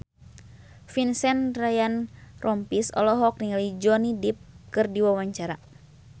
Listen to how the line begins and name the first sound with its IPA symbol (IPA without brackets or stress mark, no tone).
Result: f